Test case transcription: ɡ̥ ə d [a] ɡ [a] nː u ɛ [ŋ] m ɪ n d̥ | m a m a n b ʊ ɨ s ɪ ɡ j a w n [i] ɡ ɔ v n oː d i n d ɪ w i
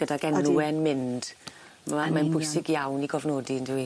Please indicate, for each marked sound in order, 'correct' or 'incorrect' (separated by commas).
correct, incorrect, incorrect, correct